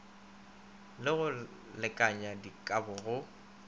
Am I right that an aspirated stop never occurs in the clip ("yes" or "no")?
yes